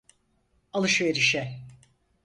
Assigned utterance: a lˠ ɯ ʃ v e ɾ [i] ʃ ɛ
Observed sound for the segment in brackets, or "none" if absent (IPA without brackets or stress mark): i